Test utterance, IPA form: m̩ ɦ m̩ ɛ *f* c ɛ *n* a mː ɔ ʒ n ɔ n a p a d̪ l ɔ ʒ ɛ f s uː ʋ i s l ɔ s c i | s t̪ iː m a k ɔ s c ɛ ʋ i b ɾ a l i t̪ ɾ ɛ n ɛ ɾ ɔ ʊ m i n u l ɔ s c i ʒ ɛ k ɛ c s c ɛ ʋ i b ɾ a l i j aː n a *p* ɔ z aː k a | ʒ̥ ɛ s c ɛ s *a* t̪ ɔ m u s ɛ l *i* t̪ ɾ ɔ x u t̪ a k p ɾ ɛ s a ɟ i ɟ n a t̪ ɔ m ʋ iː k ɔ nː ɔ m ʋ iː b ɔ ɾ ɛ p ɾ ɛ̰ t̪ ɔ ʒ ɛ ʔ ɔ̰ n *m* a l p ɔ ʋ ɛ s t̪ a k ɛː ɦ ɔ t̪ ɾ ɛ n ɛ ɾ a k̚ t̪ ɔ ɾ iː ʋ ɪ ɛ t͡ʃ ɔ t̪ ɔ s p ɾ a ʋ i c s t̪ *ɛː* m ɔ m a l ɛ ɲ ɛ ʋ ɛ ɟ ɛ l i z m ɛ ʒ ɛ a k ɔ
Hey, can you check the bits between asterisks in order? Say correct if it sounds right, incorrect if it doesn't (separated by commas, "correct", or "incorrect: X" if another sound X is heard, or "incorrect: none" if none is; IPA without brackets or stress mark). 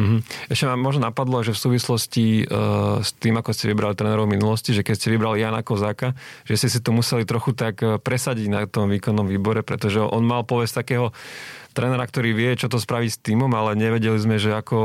incorrect: ʃ, incorrect: m, incorrect: k, incorrect: i, correct, correct, incorrect: iː